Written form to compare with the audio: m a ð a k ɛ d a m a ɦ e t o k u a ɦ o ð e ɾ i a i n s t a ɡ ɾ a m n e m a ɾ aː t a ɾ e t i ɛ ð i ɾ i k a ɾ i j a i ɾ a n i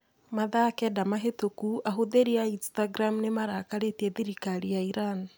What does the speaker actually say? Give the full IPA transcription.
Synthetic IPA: m a ð a k ɛ d a m a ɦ e t o k u a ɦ o ð e ɾ i a i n s t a ɡ ɾ a m n e m a ɾ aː k a ɾ e t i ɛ ð i ɾ i k a ɾ i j a i ɾ a n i